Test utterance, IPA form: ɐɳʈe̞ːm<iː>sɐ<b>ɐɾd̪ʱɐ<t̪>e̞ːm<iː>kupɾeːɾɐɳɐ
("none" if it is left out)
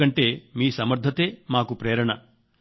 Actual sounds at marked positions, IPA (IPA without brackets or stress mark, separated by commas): iː, m, t̪, aː